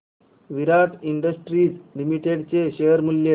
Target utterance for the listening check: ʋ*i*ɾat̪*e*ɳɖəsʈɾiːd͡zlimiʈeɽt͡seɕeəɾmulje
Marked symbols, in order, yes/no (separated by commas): yes, no